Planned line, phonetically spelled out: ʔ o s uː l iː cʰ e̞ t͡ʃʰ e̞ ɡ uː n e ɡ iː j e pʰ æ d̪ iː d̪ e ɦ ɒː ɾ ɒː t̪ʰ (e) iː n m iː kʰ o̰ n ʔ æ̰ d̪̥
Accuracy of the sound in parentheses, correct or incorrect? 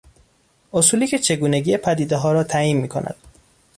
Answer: incorrect: æ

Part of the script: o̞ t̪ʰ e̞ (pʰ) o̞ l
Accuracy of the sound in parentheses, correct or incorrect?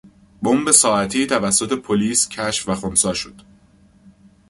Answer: correct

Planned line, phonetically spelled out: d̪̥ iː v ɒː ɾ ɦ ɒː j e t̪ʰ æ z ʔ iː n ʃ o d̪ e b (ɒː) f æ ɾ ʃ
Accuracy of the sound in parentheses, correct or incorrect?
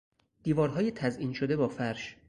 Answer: correct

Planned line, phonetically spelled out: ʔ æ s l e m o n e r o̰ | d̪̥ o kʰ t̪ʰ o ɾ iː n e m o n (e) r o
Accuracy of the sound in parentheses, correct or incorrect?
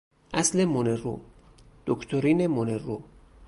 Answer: correct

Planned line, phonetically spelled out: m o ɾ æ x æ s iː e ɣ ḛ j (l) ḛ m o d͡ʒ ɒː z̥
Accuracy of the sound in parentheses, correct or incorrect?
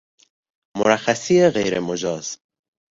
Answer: incorrect: ɾ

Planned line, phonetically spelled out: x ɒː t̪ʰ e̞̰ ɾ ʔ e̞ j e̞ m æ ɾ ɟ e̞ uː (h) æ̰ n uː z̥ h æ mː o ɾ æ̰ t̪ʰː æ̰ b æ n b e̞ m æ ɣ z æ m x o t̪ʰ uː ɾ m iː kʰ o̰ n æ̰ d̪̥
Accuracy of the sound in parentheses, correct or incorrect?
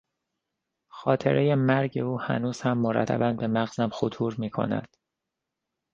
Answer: correct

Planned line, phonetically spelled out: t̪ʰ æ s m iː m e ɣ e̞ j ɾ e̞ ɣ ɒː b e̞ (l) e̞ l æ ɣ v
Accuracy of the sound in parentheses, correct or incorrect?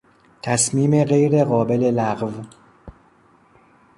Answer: correct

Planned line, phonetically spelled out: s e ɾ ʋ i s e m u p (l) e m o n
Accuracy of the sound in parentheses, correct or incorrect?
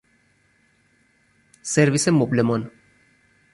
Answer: correct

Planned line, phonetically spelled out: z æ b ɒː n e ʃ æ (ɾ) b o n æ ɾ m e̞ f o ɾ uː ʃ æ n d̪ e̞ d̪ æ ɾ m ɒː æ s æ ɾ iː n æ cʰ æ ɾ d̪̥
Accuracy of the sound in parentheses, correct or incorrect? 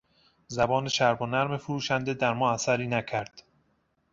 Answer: correct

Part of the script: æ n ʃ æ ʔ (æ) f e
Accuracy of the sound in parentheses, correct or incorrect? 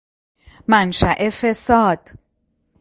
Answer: incorrect: e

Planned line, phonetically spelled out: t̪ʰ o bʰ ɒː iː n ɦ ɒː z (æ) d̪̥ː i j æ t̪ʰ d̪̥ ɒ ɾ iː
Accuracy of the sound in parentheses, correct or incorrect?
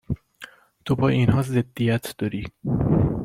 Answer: incorrect: e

